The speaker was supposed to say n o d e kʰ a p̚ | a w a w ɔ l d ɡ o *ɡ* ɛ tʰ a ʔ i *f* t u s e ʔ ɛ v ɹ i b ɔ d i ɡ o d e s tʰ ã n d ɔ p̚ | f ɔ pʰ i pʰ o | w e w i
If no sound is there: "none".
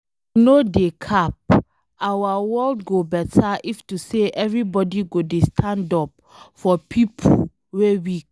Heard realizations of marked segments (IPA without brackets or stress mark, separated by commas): b, f